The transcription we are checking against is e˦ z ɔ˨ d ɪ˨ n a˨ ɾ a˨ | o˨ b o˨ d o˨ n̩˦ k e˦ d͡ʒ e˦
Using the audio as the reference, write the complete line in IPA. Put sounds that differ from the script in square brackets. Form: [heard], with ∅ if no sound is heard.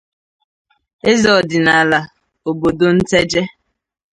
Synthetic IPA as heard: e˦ z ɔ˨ d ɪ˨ n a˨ [l] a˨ | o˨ b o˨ d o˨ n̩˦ [t] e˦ d͡ʒ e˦